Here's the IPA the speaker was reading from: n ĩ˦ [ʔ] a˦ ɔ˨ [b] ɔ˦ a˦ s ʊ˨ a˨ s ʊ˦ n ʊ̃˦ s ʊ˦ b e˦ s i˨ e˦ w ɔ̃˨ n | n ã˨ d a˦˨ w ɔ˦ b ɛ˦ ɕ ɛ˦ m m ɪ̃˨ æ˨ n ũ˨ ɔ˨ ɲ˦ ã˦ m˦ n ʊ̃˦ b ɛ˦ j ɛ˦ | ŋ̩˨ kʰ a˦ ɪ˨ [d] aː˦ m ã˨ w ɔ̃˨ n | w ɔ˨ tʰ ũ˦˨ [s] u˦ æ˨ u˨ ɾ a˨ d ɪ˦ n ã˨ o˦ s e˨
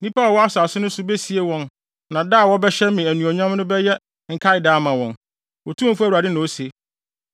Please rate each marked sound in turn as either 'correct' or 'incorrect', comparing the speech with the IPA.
incorrect: p, incorrect: w, correct, incorrect: f

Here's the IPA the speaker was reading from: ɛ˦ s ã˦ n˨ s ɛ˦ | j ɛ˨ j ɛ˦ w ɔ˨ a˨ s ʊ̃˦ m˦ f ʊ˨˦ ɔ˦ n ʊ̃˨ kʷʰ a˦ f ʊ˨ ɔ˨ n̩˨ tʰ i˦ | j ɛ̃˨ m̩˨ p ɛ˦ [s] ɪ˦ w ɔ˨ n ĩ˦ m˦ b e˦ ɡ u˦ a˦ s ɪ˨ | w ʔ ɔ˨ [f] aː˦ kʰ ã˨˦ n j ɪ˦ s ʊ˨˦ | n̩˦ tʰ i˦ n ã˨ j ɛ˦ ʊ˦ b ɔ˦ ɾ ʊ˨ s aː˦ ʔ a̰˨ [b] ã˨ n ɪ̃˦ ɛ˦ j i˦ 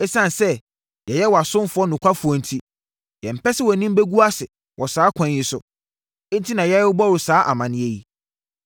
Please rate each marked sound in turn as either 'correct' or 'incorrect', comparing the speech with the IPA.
correct, incorrect: s, incorrect: m

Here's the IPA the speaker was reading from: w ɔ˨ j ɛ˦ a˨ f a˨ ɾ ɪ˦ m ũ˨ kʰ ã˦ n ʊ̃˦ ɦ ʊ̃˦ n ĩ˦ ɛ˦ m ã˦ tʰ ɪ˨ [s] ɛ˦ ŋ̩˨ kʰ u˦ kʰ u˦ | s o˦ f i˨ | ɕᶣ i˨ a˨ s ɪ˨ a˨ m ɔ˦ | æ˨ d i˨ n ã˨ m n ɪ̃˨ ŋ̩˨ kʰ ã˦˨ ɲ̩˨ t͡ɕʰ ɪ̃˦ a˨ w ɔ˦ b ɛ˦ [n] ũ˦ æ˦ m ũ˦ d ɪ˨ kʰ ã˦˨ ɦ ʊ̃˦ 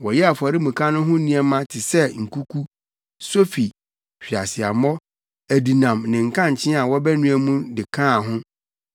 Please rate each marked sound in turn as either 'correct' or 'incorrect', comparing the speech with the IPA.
correct, correct

